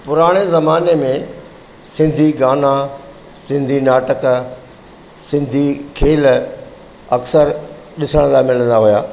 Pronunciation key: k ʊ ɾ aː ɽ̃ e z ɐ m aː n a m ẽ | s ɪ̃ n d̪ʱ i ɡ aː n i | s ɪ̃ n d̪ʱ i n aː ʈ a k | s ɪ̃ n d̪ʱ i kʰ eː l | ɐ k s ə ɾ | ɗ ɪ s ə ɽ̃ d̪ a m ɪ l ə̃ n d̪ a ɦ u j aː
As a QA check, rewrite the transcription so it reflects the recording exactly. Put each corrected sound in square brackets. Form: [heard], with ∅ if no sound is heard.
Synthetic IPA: [p] ʊ ɾ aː ɽ̃ e z ɐ m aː n [e] m ẽ | s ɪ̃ n d̪ʱ i ɡ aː n [a] | s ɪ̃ n d̪ʱ i n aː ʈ [ə] k | s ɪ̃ n d̪ʱ i kʰ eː l | ɐ k s ə ɾ | ɗ ɪ s ə ɽ̃ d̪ a m ɪ l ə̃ n d̪ a ɦ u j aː